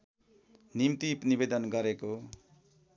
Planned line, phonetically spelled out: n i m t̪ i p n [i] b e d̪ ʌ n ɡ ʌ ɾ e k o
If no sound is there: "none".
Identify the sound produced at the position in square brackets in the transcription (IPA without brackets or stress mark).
i